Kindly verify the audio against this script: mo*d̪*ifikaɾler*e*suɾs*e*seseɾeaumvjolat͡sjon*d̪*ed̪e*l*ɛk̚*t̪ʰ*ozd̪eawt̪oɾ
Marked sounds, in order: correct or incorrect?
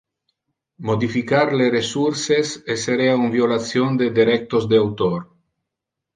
correct, correct, correct, correct, incorrect, incorrect

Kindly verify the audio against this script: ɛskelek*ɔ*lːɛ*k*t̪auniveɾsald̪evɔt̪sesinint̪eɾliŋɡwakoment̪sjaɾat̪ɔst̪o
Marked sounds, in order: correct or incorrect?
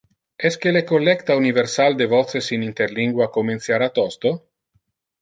incorrect, correct

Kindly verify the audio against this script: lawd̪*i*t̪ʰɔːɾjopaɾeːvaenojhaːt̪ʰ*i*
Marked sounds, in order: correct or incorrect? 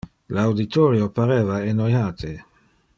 correct, incorrect

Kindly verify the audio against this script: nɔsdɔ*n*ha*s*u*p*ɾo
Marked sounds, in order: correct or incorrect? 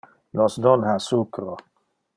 correct, correct, incorrect

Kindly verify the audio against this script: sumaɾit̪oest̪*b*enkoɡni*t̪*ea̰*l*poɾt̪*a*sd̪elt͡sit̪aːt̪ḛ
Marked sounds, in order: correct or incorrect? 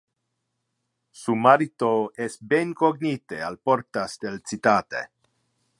correct, correct, correct, correct

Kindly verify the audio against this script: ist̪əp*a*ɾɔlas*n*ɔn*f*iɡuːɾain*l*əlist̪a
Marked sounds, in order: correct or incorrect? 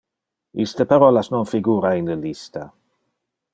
correct, correct, correct, correct

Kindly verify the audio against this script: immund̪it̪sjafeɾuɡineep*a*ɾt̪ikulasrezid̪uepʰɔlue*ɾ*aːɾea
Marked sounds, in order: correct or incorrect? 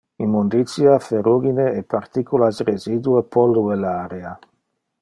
correct, incorrect

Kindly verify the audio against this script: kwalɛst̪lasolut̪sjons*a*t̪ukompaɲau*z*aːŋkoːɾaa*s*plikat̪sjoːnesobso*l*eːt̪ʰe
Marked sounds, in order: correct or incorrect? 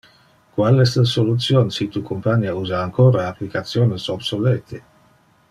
incorrect, correct, incorrect, correct

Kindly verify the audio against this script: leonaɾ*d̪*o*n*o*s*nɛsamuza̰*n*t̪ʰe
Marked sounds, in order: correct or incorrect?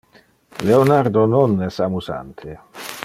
correct, correct, incorrect, correct

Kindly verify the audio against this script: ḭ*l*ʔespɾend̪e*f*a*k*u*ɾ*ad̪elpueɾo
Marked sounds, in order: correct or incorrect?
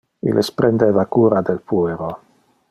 correct, incorrect, correct, correct

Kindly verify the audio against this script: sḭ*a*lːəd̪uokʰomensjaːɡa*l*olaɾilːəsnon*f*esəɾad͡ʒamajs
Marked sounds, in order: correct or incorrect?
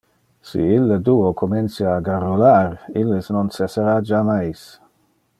incorrect, incorrect, incorrect

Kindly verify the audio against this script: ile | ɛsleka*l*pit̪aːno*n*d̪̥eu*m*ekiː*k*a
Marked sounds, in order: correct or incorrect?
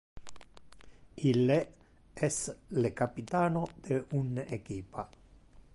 incorrect, incorrect, incorrect, incorrect

